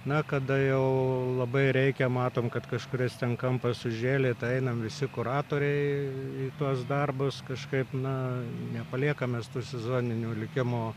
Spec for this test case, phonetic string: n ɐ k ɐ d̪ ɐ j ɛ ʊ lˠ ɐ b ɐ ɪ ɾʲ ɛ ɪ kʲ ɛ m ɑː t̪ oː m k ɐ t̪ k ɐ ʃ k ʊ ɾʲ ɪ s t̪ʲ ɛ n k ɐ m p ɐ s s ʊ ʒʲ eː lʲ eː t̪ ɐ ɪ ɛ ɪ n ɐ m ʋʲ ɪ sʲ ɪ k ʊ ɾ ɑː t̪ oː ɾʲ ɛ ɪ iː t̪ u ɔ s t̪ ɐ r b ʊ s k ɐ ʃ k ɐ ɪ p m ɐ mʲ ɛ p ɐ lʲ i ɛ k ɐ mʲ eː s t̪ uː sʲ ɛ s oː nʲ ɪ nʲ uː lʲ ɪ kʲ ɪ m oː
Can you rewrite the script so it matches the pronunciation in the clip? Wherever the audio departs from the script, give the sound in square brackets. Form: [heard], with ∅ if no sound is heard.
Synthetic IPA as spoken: n ɐ k ɐ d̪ ɐ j ɛ ʊ lˠ ɐ b ɐ ɪ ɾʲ ɛ ɪ kʲ ɛ m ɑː t̪ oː m k ɐ t̪ k ɐ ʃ k ʊ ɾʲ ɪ s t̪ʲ ɛ n k ɐ m p ɐ s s ʊ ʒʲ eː lʲ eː t̪ ɐ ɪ ɛ ɪ n ɐ m ʋʲ ɪ sʲ ɪ k ʊ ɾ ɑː t̪ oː ɾʲ ɛ ɪ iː t̪ u ɔ s [d̪] ɐ r b ʊ s k ɐ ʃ k ɐ ɪ p [n] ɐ [nʲ] ɛ p ɐ lʲ i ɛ k ɐ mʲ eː s t̪ uː sʲ ɛ [z] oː nʲ ɪ nʲ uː lʲ ɪ kʲ ɪ m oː